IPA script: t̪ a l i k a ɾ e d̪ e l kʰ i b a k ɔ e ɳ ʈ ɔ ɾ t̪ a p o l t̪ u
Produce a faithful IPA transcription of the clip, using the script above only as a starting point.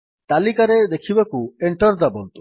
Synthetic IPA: t̪ a l i k a ɾ e d̪ e kʰ i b a k u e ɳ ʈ ɔ ɾ d̪ a b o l t̪ u